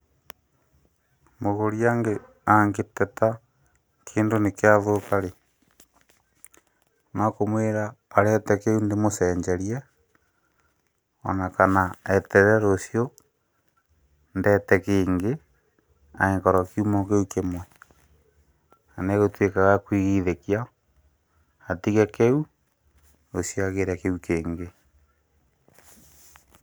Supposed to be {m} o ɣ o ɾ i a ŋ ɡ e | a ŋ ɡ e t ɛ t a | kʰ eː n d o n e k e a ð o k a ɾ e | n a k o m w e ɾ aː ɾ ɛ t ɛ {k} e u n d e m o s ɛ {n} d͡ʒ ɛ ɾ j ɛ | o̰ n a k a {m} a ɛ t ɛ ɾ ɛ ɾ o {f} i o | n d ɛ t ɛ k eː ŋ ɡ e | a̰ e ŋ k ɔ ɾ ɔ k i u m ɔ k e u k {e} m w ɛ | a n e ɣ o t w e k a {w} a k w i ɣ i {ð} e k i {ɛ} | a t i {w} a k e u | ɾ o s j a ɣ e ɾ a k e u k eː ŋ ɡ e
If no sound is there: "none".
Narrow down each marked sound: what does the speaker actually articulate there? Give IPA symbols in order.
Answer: m, k, ɲ, n, s, e, ɣ, ð, a, ɣ

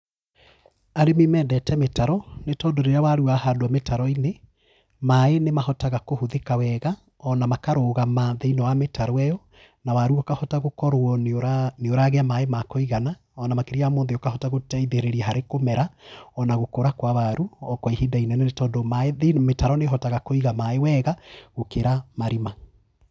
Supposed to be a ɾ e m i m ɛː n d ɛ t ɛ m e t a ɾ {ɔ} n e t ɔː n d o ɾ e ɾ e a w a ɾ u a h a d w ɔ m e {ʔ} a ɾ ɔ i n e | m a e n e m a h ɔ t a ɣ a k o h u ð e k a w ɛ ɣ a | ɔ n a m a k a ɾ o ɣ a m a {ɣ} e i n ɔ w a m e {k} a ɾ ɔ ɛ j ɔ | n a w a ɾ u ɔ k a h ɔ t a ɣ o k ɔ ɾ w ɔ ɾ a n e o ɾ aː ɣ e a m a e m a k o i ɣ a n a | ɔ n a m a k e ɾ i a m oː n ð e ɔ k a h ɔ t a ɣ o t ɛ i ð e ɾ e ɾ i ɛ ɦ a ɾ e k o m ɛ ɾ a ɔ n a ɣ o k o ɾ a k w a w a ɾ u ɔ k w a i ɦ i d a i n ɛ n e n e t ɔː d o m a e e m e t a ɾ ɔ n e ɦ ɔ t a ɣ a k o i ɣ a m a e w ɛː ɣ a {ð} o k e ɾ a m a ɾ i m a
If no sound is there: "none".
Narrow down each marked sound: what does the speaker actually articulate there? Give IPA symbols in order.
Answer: ɔ, t, ð, t, ɣ

